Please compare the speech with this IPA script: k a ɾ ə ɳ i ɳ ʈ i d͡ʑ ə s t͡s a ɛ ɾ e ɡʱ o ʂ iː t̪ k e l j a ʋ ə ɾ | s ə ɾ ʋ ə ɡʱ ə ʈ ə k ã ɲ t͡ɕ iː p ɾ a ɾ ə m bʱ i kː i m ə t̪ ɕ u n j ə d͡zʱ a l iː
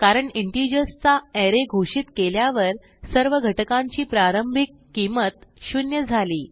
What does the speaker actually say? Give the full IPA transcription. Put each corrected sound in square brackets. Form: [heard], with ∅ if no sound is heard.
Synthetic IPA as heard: k a ɾ ə ɳ i ɳ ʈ i d͡ʑ ə s t͡s a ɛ ɾ e ɡʱ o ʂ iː t̪ k e l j a ʋ ə ɾ | s ə ɾ ʋ ə ɡʱ ə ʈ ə k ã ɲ t͡ɕ iː p ɾ a ɾ ə m bʱ i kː i m ə t̪ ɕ u n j ə d͡zʱ a l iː